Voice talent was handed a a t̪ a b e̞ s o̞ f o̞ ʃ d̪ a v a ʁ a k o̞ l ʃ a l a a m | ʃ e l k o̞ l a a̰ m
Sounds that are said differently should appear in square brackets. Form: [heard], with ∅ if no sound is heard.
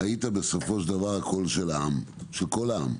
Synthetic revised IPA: a [i] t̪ a b e̞ s o̞ f o̞ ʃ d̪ a v a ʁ a k o̞ l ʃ [e] l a a m | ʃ e l k o̞ l a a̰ m